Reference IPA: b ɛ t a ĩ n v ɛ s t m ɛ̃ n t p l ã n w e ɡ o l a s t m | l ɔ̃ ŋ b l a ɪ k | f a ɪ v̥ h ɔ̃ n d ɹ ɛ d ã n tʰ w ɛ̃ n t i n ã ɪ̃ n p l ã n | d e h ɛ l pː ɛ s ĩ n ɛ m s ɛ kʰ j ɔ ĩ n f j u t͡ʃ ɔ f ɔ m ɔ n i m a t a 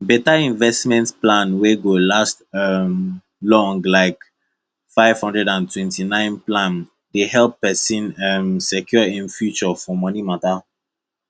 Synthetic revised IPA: b ɛ t a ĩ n v ɛ s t m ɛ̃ n t p l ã n w e ɡ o l a s t m | l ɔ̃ ŋ ɡ l a ɪ k | f a ɪ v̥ h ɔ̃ n d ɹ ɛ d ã n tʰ w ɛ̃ n t i n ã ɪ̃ n p l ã n | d e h ɛ l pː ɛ s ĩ n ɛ m s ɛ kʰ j ɔ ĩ n f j u t͡ʃ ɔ f ɔ m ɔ n i m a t a